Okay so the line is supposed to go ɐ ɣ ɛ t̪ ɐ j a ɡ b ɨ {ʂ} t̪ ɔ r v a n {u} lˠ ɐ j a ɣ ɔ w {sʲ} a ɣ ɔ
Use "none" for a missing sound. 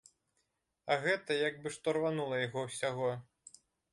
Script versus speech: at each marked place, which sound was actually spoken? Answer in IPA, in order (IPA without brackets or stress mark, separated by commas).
ʂ, u, sʲ